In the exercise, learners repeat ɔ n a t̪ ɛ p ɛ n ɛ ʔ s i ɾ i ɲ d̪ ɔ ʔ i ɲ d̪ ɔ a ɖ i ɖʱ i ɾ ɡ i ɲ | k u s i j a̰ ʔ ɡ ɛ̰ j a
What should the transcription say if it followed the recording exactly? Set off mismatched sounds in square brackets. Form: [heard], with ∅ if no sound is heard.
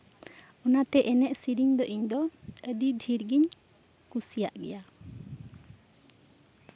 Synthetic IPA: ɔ n a t̪ ɛ [ʔ] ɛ n ɛ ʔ s i ɾ i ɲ d̪ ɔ ʔ i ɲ d̪ ɔ [ə] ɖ i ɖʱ i ɾ ɡ i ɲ | k u s i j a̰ ʔ ɡ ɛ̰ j a